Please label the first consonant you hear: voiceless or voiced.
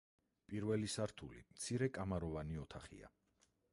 voiceless